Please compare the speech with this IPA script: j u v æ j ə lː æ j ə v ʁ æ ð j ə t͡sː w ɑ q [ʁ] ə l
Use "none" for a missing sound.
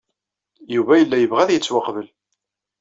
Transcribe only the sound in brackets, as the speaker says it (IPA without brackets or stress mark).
v